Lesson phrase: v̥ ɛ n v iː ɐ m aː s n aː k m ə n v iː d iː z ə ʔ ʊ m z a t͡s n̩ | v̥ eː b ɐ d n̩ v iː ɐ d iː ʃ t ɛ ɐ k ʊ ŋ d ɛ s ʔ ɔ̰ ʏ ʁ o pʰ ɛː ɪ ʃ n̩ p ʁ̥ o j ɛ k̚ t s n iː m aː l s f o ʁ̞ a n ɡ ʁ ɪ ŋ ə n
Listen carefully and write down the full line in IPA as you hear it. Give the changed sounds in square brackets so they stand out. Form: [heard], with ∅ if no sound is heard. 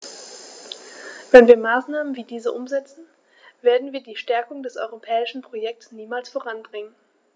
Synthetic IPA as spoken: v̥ ɛ n v iː ɐ m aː s n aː [∅] m ə n v iː d iː z ə ʔ ʊ m z [ɛ] t͡s n̩ | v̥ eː [∅] ɐ d n̩ v iː ɐ d iː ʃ t ɛ ɐ k ʊ ŋ d ɛ s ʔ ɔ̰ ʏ ʁ o pʰ ɛː ɪ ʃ n̩ p ʁ̥ o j ɛ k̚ t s n iː m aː l s f o ʁ̞ a n [b] ʁ ɪ ŋ ə n